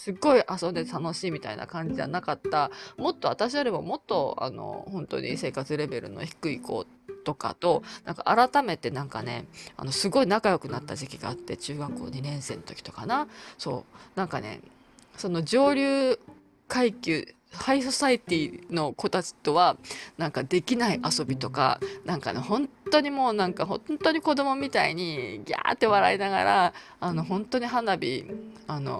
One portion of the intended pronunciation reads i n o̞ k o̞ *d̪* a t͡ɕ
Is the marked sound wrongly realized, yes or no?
yes